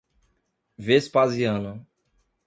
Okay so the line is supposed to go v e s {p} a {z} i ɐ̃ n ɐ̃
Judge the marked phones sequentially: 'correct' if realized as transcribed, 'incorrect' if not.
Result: correct, correct

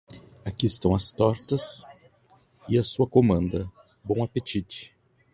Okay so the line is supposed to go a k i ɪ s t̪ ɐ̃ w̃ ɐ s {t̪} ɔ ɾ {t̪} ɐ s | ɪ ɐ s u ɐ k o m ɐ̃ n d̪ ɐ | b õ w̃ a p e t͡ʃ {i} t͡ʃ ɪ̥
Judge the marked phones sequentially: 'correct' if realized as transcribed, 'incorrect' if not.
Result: correct, correct, correct

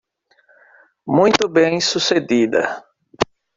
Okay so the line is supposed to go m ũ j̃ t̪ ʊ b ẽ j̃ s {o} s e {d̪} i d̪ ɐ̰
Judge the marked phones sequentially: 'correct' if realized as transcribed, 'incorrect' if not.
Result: incorrect: u, correct

